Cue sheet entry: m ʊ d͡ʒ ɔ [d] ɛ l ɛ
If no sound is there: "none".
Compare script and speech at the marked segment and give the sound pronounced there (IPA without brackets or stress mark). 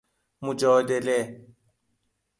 d